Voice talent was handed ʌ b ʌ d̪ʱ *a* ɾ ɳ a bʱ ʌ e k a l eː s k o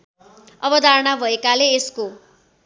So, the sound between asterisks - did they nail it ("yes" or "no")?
yes